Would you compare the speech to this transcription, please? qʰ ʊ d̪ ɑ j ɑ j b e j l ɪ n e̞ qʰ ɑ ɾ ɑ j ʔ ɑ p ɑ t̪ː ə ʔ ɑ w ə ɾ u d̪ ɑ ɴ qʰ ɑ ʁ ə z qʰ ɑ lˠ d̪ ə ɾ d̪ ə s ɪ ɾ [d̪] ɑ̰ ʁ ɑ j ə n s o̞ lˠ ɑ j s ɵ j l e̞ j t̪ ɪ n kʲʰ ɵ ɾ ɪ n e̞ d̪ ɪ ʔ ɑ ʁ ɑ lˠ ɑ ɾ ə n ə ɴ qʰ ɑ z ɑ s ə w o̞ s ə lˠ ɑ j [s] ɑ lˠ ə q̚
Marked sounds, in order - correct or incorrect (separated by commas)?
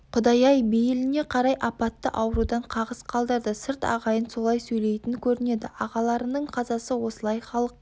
incorrect, incorrect